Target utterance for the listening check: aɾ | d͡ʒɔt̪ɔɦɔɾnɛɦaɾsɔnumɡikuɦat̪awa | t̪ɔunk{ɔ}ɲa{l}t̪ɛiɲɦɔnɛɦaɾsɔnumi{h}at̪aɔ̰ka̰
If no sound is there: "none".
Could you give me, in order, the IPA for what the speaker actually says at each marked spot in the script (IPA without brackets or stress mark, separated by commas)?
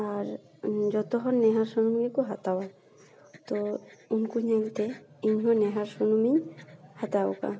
u, l, h